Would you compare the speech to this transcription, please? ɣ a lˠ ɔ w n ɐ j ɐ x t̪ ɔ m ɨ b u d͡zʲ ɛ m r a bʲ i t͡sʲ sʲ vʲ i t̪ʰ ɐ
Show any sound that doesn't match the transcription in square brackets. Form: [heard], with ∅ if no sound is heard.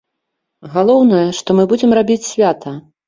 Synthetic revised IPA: ɣ a lˠ ɔ w n ɐ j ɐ [ʂ] t̪ ɔ m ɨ b u d͡zʲ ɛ m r a bʲ i t͡sʲ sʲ vʲ [a] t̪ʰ ɐ

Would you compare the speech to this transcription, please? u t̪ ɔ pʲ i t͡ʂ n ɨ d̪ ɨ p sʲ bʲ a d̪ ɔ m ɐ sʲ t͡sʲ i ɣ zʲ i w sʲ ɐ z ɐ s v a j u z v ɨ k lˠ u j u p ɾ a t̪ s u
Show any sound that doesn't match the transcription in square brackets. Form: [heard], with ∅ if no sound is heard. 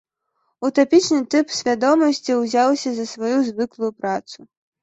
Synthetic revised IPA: u t̪ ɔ pʲ i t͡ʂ n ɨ [t̪] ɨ p sʲ [vʲ] a d̪ ɔ m ɐ sʲ t͡sʲ i [w] zʲ [a] w sʲ ɐ z ɐ s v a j u z v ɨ k lˠ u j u p ɾ a t̪ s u

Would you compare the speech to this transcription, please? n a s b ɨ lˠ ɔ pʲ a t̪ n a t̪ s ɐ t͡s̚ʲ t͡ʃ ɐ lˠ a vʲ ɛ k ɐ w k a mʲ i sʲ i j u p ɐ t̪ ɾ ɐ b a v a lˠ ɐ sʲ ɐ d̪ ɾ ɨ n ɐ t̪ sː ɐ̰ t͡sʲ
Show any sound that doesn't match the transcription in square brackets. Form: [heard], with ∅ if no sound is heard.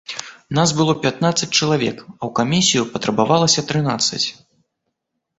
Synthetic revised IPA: n a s b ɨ lˠ ɔ pʲ a t̪ n a t̪ s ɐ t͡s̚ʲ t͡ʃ ɐ lˠ a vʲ ɛ k ɐ w k a mʲ i sʲ i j u p ɐ t̪ ɾ ɐ b a v a lˠ ɐ sʲ ɐ [t̪] ɾ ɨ n [a] t̪ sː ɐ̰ t͡sʲ

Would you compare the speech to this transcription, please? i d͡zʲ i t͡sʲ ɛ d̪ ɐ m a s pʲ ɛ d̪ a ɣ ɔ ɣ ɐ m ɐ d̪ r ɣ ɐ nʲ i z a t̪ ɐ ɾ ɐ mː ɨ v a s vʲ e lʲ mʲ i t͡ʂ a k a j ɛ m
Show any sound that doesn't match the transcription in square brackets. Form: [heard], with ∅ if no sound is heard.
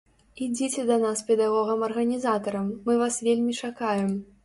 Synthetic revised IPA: i d͡zʲ i t͡sʲ ɛ d̪ ɐ [n] a s pʲ ɛ d̪ a ɣ ɔ ɣ ɐ m ɐ [∅] r ɣ ɐ nʲ i z a t̪ ɐ ɾ ɐ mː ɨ v a s vʲ e lʲ mʲ i t͡ʂ a k a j ɛ m

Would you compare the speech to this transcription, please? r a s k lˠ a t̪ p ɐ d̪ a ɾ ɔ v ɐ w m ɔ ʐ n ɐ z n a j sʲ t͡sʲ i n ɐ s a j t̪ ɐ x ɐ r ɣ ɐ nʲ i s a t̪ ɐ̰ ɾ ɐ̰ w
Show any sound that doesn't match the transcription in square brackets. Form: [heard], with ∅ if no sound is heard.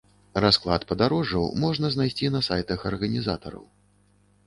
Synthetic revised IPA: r a s k lˠ a t̪ p ɐ d̪ a ɾ ɔ [ʐ] ɐ w m ɔ ʐ n ɐ z n a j sʲ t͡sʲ i n ɐ s a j t̪ ɐ x ɐ r ɣ ɐ nʲ i [z] a t̪ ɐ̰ ɾ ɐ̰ w

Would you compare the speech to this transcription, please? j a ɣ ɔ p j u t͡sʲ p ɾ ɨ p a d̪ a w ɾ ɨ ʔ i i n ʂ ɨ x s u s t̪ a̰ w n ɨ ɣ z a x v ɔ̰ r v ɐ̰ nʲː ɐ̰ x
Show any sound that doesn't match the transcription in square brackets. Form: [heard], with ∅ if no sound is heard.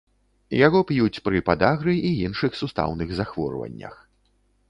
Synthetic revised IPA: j a ɣ ɔ p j u t͡sʲ p ɾ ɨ p a d̪ a [ɣ] ɾ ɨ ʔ i i n ʂ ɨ x s u s t̪ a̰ w n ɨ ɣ z a x v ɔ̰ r v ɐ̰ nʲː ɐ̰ x

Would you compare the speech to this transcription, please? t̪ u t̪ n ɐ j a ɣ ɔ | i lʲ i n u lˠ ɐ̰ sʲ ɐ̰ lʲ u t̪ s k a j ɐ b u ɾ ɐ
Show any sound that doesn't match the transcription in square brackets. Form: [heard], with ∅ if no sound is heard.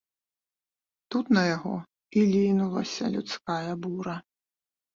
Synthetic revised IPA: t̪ u t̪ n ɐ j a ɣ ɔ | i lʲ i n u lˠ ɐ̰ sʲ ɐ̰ lʲ u t̪ s k a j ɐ b u ɾ ɐ

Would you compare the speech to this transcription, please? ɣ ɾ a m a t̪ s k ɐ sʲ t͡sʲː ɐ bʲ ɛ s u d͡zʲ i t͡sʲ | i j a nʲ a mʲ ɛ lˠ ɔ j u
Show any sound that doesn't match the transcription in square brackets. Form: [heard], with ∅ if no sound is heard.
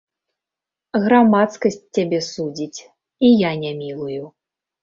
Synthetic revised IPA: ɣ ɾ a m a t̪ s k ɐ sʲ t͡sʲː [a] bʲ ɛ s u d͡zʲ i t͡sʲ | i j a nʲ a mʲ [i] lˠ [u] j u

